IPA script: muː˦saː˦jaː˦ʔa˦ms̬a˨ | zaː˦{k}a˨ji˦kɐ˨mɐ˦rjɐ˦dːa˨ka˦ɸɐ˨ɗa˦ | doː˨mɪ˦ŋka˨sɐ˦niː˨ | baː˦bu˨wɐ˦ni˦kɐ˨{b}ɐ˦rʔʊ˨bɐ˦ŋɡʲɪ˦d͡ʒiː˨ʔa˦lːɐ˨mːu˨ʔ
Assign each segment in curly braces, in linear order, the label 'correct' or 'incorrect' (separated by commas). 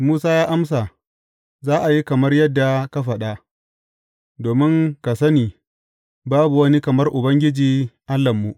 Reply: incorrect, incorrect